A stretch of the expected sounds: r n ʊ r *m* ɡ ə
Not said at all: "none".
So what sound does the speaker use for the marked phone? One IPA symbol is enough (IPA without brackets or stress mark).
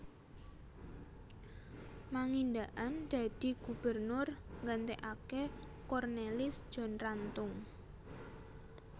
ŋ